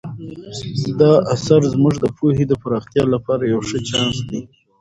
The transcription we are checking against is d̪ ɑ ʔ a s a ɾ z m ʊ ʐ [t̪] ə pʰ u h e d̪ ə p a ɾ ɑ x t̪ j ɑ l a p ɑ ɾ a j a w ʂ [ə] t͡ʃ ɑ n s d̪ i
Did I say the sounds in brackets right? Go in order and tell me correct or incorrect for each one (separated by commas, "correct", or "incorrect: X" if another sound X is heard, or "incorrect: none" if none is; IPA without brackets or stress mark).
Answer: incorrect: d̪, correct